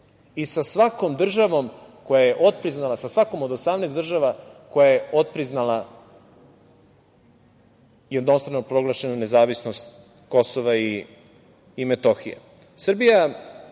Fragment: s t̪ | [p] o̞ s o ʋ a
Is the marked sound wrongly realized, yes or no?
yes